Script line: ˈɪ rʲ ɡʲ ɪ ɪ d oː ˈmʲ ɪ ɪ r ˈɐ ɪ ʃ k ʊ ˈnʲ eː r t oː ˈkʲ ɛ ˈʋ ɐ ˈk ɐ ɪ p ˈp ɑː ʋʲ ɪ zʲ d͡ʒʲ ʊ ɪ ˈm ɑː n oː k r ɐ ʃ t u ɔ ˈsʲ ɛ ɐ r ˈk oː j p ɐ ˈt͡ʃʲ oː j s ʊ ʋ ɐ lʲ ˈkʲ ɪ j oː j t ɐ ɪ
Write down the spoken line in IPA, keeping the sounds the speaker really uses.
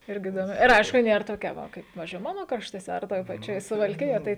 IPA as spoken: ˈɪ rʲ ɡʲ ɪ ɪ d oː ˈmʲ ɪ ɪ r ˈɐ ɪ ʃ k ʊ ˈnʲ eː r t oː ˈkʲ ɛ ˈʋ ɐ ˈk ɐ ɪ p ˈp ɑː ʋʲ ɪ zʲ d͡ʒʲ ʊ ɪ ˈm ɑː n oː k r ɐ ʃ t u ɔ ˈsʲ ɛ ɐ r ˈt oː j p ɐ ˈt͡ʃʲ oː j s ʊ ʋ ɐ lʲ ˈkʲ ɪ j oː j t ɐ ɪ